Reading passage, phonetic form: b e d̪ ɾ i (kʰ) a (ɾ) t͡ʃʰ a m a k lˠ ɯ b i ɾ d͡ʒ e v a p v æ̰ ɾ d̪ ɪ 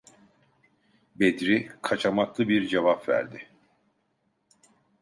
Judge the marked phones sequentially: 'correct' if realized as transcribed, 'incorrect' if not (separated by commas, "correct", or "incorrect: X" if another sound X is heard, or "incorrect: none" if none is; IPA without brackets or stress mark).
correct, incorrect: none